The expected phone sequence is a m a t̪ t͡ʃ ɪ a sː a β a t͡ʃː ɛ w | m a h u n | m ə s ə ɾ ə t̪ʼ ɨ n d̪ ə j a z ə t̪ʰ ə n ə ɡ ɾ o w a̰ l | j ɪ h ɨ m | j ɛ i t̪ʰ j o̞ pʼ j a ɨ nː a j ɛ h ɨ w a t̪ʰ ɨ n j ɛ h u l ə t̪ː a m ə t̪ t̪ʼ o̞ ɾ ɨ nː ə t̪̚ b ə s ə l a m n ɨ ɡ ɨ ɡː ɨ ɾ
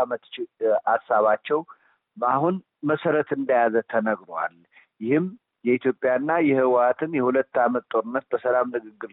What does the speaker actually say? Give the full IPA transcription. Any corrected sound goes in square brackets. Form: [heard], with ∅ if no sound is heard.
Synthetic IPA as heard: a m [ə] t̪ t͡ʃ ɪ a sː a β a t͡ʃː ɛ w | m a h u n | m ə s ə ɾ ə [t̪] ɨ n d̪ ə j a z ə t̪ʰ ə n ə ɡ ɾ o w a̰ l | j ɪ h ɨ m | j ɛ i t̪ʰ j o̞ pʼ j a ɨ nː a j ɛ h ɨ w a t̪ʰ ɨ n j ɛ h u l ə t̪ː a m ə t̪ t̪ʼ o̞ ɾ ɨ nː ə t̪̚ b ə s ə l a m n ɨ ɡ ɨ ɡː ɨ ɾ